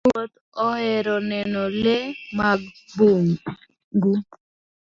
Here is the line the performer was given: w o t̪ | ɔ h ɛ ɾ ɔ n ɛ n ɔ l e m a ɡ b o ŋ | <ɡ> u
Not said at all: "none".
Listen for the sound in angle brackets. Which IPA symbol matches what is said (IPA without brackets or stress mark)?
ɡ